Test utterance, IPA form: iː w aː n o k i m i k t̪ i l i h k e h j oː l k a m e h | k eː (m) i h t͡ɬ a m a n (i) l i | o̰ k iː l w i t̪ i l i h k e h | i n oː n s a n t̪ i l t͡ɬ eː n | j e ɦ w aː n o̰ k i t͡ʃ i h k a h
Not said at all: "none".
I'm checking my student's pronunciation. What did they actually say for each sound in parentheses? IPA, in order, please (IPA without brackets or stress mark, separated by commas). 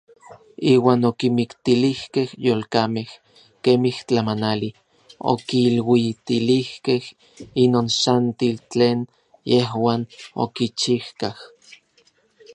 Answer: m, a